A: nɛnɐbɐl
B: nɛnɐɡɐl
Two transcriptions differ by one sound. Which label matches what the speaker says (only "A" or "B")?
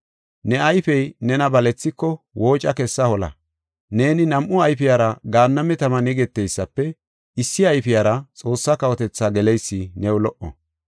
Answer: A